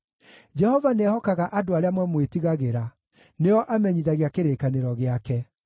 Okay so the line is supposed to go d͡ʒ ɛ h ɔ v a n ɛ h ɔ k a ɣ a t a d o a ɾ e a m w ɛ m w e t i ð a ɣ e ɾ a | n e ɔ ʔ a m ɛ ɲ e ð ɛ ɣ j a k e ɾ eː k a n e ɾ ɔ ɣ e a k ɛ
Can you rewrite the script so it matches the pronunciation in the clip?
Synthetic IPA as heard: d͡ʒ ɛ h ɔ v a n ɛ h ɔ k a ɣ a ʔ a d o a ɾ e a m w ɛ m w e t i ɣ a ɣ e ɾ a | n e ɔ ʔ a m ɛ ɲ i ð a ɣ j a k e ɾ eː k a n e ɾ ɔ ɣ e a k ɛ